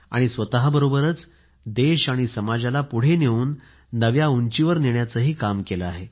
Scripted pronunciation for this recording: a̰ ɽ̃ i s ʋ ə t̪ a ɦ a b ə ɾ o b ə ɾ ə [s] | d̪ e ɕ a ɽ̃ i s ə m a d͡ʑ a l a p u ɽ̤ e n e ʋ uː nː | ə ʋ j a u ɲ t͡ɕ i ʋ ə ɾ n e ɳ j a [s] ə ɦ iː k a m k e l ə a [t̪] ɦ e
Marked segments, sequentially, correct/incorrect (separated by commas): incorrect, incorrect, incorrect